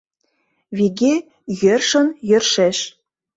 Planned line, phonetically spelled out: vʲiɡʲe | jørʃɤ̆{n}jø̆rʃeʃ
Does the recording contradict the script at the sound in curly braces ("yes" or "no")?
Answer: no